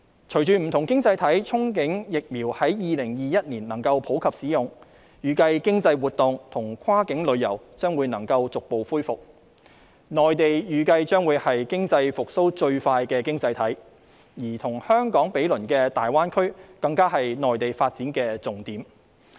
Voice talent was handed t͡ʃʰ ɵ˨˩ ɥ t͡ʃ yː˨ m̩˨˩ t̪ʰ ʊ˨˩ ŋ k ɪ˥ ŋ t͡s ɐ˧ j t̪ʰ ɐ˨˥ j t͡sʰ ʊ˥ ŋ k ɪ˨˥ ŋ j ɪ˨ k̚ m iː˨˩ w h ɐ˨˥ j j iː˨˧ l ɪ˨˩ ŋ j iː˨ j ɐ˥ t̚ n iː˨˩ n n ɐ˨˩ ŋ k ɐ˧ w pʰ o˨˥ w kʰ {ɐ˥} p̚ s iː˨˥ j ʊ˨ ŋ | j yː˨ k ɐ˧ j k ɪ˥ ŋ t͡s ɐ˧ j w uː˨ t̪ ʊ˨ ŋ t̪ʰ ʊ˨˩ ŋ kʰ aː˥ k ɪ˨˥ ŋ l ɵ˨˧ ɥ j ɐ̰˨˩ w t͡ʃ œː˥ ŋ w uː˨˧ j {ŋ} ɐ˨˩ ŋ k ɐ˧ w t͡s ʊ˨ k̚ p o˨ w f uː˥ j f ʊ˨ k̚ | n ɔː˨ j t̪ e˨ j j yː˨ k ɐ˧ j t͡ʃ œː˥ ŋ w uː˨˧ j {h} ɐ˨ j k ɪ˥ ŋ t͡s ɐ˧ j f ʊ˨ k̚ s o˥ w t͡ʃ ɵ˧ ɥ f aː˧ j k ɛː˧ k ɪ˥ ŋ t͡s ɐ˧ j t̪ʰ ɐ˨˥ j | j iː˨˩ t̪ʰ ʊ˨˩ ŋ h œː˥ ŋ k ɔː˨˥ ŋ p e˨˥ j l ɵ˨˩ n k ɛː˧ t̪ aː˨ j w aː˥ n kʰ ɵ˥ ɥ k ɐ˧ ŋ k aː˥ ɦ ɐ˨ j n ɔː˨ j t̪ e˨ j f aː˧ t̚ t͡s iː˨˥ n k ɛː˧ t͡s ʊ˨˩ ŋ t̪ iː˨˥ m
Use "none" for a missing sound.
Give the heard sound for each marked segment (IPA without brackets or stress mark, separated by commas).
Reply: ɐ˨, n, h